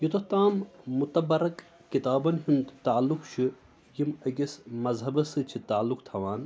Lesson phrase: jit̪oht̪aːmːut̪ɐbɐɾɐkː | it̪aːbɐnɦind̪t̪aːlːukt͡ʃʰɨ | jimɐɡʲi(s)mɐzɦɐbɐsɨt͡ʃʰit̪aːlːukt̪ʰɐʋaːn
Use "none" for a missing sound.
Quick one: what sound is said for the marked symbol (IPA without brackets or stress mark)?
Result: s